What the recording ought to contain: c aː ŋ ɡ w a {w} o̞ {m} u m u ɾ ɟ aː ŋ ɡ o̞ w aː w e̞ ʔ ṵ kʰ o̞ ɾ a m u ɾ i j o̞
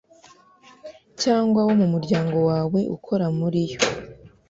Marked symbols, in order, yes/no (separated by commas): yes, yes